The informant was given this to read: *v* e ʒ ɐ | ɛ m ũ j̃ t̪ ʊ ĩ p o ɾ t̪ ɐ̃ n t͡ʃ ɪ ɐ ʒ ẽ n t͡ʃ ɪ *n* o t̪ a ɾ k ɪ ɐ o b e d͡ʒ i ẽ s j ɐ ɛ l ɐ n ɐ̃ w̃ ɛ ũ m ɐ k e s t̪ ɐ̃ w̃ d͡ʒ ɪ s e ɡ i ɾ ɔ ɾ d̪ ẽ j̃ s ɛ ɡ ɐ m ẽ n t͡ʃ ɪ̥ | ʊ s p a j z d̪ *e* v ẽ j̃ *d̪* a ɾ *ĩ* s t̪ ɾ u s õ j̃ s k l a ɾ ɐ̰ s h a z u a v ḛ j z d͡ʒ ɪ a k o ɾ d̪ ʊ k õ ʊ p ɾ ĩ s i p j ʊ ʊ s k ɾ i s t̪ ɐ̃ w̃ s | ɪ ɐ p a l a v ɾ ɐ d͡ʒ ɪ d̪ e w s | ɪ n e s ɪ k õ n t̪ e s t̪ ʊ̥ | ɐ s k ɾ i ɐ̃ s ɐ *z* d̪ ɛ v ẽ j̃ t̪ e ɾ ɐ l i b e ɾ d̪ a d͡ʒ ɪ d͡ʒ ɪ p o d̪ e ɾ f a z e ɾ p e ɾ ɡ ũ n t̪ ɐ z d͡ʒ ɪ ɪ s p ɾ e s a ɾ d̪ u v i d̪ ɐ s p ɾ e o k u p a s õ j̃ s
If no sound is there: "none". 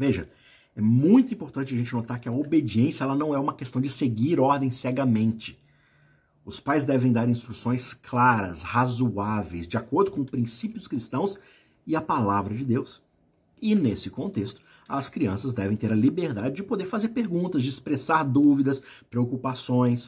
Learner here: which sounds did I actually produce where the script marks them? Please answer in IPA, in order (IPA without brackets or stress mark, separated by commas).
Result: v, n, ɛ, d̪, ĩ, z